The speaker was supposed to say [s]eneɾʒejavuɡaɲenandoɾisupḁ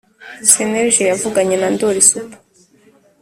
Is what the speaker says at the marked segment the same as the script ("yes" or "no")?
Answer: yes